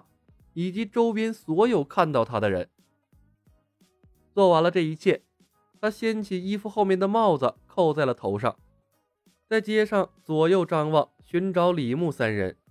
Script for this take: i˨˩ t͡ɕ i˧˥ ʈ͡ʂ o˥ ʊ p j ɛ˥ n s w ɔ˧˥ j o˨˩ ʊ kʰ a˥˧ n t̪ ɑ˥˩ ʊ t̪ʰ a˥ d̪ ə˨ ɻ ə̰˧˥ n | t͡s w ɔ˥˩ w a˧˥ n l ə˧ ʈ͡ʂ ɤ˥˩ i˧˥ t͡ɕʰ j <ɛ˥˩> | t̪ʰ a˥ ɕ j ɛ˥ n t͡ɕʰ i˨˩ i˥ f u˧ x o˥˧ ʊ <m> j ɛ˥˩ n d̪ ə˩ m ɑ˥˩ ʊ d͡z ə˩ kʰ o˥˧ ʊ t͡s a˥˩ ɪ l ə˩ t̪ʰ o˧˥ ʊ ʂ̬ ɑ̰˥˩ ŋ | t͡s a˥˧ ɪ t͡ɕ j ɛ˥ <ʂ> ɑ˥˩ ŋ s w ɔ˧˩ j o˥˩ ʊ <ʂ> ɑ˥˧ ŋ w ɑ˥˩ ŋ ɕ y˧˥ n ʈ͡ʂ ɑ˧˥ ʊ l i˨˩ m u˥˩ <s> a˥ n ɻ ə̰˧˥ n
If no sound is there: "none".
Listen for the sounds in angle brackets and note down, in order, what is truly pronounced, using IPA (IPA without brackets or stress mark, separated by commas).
ɛ˥˩, m, ʂ, ʈ͡ʂ, s